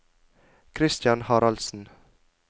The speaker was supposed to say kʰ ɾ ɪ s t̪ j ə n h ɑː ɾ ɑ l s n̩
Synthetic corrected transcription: kʰ ɾ ɪ s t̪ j ɑ n h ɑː ɾ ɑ l s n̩